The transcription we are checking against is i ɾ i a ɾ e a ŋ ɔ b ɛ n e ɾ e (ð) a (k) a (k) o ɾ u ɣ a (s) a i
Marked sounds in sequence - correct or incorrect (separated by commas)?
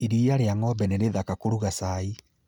correct, correct, correct, correct